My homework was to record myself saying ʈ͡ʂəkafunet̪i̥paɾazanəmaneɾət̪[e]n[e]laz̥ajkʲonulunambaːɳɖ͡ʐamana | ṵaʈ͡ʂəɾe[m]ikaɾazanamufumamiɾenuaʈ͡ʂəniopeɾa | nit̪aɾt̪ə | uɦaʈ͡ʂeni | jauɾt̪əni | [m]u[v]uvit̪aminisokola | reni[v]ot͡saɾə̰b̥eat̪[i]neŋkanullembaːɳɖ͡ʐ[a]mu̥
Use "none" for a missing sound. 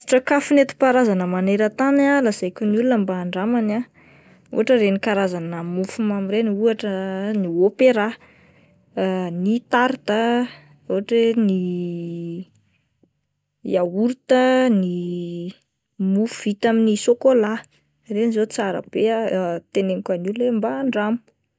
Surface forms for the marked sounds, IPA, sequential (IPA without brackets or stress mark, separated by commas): a, a, n, m, f, z, e, a